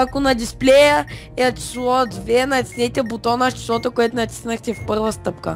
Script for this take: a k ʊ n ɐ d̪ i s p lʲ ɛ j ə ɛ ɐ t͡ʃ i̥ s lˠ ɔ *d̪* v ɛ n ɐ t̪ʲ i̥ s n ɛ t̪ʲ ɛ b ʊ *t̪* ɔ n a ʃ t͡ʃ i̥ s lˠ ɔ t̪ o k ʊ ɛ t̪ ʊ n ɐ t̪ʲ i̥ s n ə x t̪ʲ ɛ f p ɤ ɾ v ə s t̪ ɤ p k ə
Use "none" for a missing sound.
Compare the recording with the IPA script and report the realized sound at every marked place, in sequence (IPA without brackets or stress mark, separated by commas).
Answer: d̪, t̪